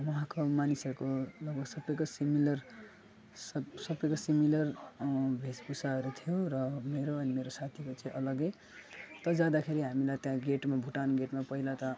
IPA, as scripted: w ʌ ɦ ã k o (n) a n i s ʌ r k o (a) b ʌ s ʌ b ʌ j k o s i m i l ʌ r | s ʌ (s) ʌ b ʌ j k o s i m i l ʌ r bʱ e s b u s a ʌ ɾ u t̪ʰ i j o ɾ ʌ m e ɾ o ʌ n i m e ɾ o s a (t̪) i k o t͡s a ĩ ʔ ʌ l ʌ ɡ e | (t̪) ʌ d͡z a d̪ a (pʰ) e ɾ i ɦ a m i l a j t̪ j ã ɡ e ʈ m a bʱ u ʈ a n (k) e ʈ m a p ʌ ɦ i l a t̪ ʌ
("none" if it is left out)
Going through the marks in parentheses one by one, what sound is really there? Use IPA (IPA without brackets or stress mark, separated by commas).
m, ʌ, s, t̪ʰ, t̪, kʰ, ɡ